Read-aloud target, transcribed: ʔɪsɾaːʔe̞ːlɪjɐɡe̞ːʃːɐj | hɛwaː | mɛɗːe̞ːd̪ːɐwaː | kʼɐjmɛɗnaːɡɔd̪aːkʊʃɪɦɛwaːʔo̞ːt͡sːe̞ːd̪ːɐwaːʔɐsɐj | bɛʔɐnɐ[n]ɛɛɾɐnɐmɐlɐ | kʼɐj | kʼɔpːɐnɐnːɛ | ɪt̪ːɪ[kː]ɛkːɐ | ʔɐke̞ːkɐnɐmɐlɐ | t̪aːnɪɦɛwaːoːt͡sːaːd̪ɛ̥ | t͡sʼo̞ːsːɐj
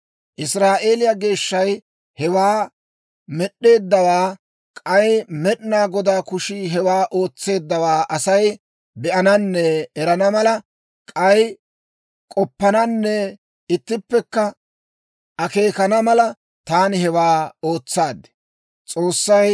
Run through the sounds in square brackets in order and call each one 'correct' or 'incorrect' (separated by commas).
incorrect, incorrect